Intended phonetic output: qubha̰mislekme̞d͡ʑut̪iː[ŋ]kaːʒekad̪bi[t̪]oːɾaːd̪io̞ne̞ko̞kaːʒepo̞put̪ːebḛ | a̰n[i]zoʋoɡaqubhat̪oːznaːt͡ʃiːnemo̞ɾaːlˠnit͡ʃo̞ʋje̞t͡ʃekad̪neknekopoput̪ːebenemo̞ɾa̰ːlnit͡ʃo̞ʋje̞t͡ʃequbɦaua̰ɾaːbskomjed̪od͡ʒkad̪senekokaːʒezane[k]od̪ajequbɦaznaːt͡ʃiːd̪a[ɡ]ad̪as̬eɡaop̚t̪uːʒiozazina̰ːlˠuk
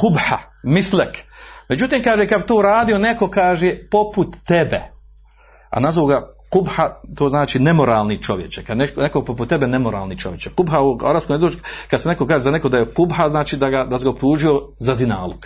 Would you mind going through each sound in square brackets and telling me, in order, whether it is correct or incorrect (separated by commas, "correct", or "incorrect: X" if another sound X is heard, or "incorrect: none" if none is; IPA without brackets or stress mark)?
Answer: incorrect: m, correct, incorrect: a, correct, correct